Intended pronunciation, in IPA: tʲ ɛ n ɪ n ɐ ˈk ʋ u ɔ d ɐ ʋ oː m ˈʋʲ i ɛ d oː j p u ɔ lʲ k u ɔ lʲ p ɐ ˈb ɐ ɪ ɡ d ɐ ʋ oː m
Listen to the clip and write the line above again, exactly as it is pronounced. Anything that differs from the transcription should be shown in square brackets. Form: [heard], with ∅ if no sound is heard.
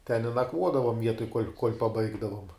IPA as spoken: tʲ ɛ n ɪ n ɐ ˈk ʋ u ɔ d ɐ ʋ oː m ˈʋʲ i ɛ [t] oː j [k] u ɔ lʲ k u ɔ lʲ p ɐ ˈb ɐ ɪ ɡ d ɐ ʋ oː m